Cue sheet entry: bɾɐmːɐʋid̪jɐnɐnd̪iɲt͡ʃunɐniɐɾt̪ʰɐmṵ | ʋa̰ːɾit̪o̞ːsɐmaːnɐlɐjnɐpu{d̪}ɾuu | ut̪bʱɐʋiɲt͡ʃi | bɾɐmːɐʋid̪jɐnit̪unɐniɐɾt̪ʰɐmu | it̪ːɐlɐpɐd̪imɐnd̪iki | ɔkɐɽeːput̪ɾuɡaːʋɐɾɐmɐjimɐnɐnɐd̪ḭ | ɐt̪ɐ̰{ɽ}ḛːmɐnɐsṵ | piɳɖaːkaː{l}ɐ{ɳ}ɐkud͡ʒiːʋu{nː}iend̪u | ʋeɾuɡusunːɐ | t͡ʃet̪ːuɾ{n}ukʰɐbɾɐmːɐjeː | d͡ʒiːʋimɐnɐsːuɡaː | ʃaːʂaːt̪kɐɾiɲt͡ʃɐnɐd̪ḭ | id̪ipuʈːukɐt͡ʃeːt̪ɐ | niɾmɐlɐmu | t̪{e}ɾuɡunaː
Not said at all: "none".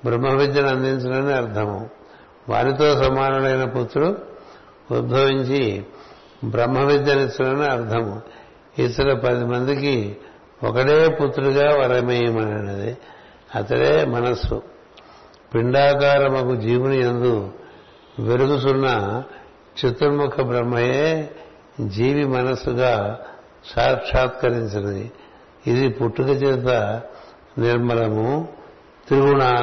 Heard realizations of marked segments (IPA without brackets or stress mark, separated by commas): t̪, ɽ, ɾ, m, n, m, i